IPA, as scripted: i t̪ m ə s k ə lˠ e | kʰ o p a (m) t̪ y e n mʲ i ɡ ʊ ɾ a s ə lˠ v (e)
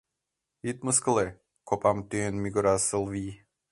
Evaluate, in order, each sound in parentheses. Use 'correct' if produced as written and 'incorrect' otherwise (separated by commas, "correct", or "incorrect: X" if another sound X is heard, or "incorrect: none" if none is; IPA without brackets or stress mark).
correct, incorrect: i